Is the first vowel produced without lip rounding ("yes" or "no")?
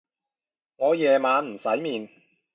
no